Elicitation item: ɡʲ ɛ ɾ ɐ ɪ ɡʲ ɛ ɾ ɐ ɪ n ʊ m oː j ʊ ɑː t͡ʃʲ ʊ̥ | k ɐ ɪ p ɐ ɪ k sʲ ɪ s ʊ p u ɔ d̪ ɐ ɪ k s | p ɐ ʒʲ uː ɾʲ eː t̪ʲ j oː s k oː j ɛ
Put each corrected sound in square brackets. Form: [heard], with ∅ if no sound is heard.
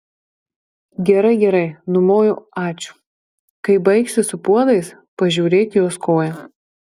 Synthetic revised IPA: ɡʲ ɛ ɾ ɐ ɪ ɡʲ ɛ ɾ ɐ ɪ n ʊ m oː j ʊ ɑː t͡ʃʲ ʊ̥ | k ɐ ɪ [b] ɐ ɪ k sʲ ɪ s ʊ p u ɔ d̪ ɐ ɪ [∅] s | p ɐ ʒʲ uː ɾʲ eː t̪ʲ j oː s k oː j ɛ